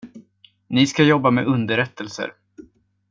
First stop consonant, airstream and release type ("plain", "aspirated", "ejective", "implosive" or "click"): plain